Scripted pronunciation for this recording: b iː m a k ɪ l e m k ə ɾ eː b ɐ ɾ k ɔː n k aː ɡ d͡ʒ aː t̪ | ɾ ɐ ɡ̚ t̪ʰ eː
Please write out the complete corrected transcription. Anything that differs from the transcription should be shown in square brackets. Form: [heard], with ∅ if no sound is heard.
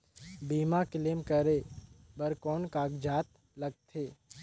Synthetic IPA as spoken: b iː m a k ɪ l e m k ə ɾ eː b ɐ ɾ k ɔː n k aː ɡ d͡ʒ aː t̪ | [l] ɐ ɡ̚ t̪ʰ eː